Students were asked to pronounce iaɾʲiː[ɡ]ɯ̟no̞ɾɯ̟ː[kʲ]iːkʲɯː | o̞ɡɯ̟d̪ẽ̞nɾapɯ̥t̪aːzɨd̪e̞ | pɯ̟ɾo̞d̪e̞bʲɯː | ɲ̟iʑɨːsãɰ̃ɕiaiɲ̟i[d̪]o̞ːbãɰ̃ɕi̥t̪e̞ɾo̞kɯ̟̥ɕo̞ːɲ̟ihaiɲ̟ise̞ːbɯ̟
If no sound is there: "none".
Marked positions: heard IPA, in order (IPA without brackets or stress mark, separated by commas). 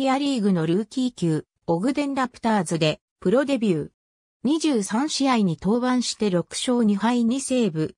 ɡ, kʲ, t̪